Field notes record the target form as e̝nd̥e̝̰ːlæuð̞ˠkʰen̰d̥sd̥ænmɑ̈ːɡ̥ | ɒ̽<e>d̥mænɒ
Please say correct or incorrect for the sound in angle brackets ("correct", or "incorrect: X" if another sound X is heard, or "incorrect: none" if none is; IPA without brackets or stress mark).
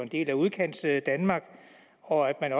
incorrect: æ